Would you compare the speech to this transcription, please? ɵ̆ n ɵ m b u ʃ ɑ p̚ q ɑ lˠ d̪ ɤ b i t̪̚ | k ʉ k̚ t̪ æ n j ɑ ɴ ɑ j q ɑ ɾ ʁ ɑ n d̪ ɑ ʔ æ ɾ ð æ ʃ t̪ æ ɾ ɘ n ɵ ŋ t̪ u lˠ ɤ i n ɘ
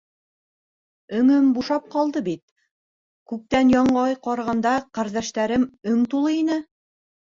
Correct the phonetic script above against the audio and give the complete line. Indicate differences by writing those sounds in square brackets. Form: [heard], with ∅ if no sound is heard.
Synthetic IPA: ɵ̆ [ŋ] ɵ m b u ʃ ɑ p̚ q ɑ lˠ d̪ ɤ b i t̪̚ | k ʉ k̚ t̪ æ n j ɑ ɴ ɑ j q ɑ ɾ ʁ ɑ n d̪ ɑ [q] æ ɾ ð æ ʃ t̪ æ ɾ ɘ [m] ɵ ŋ t̪ u lˠ ɤ i n ɘ